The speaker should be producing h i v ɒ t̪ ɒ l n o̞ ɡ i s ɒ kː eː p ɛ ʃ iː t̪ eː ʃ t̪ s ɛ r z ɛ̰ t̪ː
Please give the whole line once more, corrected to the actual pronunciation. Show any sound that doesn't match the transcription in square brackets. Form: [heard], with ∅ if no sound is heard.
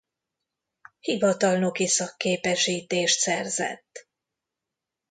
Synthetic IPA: h i v ɒ t̪ ɒ l n o̞ [k] i s ɒ kː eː p ɛ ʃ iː t̪ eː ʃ t̪ s ɛ r z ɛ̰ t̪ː